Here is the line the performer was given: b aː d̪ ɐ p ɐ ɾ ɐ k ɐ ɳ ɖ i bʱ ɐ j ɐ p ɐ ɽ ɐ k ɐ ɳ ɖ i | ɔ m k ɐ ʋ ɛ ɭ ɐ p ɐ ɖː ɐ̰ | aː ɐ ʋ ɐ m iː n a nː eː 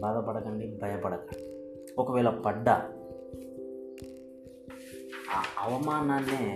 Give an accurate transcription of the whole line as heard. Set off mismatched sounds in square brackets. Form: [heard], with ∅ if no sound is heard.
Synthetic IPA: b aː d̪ ɐ p ɐ [ɽ] ɐ k ɐ ɳ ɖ i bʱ ɐ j ɐ p ɐ ɽ ɐ k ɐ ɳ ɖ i | ɔ [∅] k ɐ ʋ [ɛː] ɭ ɐ p ɐ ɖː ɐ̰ | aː ɐ ʋ ɐ m [aː] n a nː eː